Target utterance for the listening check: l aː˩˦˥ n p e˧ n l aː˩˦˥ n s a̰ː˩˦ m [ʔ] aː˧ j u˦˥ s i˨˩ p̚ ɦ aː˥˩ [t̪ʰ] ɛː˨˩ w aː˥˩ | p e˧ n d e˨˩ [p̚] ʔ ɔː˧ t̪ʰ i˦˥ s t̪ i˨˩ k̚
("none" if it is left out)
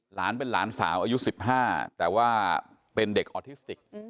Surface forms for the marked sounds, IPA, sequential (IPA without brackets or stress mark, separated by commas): ʔ, t̪, k̚